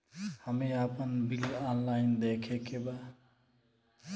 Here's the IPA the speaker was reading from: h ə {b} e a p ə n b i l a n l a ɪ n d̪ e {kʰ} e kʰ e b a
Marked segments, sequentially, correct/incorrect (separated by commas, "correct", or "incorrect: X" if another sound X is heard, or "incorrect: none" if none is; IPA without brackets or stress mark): incorrect: m, correct